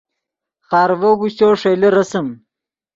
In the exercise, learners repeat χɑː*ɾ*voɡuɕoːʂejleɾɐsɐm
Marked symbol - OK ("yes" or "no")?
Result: yes